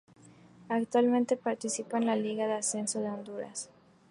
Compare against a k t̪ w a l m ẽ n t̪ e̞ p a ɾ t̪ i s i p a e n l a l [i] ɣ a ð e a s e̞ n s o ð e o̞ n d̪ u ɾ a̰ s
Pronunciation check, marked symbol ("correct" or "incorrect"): correct